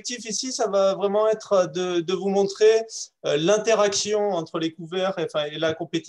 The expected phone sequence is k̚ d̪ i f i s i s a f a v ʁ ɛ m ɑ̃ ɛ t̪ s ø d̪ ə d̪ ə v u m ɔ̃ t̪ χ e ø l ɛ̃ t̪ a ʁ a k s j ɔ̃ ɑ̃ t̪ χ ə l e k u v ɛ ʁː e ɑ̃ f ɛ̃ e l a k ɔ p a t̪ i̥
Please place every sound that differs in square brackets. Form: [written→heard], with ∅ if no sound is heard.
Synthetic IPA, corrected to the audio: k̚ [d̪→t̪] i f i s i s a [f→v] a v ʁ ɛ m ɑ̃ ɛ t̪ [s→χ] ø d̪ ə d̪ ə v u m ɔ̃ t̪ χ e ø l ɛ̃ t̪ [a→e] ʁ a k s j ɔ̃ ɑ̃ t̪ χ ə l e k u v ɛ [ʁː→ʁ] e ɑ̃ f ɛ̃ e l a k [ɔ→ɔ̃] p [a→e] t̪ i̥